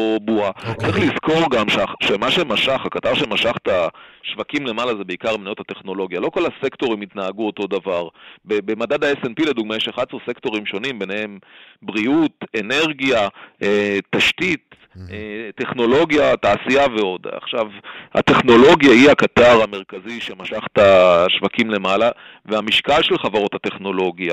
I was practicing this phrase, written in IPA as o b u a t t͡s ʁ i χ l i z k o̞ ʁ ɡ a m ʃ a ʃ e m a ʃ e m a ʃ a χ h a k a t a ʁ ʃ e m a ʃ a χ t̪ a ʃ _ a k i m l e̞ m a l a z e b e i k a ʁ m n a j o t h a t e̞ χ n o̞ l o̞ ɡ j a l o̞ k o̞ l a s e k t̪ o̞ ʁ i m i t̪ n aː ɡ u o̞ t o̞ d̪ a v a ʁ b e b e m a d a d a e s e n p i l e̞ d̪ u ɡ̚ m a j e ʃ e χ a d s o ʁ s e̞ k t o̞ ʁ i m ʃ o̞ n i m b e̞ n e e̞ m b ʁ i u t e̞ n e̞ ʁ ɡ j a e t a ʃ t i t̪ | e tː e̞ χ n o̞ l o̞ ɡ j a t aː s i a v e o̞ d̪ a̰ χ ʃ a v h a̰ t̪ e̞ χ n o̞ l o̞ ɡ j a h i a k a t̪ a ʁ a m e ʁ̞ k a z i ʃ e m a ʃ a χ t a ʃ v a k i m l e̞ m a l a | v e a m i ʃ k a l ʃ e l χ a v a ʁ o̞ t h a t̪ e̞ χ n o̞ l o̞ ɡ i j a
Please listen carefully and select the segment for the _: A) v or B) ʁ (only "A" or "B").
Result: A